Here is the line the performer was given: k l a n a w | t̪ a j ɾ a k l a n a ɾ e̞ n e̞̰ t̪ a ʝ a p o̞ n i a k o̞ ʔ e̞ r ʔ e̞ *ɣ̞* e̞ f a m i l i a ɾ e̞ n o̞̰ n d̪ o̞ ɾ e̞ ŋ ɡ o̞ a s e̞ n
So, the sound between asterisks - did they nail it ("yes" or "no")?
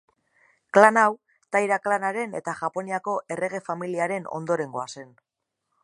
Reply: yes